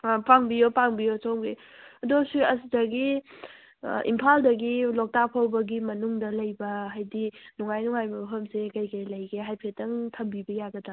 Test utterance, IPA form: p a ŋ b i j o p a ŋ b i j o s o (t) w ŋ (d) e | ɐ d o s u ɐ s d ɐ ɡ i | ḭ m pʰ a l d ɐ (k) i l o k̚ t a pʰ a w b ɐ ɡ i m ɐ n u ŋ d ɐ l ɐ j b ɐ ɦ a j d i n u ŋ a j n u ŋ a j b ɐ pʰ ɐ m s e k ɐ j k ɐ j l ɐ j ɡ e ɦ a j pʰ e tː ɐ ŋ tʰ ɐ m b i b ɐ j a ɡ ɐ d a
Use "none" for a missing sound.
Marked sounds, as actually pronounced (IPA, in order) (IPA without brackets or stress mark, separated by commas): none, ɡ, ɡ